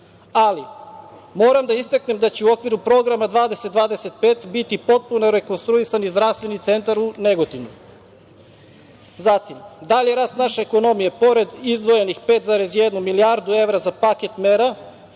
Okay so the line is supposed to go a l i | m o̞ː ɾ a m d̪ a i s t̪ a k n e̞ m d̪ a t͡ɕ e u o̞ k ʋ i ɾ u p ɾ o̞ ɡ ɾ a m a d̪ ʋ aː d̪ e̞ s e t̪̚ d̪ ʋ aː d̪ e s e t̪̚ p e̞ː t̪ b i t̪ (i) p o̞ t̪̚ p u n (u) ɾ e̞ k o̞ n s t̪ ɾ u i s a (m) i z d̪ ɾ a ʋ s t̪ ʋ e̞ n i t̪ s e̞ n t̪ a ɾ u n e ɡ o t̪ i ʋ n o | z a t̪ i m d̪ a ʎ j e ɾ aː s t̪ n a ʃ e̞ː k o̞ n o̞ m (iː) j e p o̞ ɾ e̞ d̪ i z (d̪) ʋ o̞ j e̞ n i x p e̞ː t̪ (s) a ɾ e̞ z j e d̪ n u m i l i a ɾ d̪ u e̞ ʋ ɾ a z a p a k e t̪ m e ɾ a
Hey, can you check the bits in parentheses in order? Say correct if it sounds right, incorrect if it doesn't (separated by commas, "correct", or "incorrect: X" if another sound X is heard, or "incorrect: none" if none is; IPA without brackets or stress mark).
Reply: correct, incorrect: o, incorrect: n, incorrect: i, correct, incorrect: z